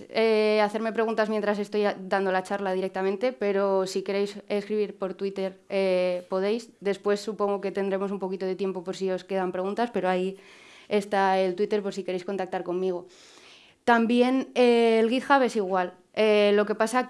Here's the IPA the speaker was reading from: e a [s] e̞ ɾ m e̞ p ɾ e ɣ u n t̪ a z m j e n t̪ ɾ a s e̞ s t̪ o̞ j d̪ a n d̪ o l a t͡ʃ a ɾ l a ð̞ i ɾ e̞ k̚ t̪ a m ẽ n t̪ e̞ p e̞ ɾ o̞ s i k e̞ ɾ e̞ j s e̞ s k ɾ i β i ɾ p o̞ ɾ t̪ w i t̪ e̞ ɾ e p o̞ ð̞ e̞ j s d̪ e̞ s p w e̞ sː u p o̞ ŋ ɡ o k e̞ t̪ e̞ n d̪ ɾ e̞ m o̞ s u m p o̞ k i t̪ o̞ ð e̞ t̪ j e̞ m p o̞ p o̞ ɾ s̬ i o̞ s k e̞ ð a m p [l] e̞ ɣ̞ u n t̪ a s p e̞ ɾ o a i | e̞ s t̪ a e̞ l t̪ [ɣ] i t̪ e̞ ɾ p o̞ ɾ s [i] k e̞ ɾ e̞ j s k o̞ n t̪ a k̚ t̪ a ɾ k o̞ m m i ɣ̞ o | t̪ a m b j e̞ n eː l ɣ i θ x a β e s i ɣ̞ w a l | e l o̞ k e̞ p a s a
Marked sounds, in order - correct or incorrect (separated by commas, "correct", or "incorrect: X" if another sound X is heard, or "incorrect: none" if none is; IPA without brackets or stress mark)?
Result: incorrect: θ, incorrect: ɾ, incorrect: w, correct